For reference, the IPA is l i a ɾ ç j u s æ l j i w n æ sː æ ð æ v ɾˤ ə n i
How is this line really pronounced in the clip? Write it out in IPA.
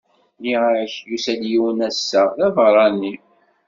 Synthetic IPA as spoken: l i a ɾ ç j u s æ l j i w n æ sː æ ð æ v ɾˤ ɑ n i